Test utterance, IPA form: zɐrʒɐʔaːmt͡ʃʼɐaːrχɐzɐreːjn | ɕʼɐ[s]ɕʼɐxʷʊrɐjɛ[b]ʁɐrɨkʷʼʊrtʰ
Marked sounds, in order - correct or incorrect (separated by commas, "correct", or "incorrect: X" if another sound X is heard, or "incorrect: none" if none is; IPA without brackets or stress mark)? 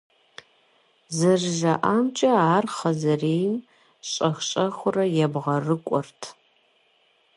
incorrect: x, correct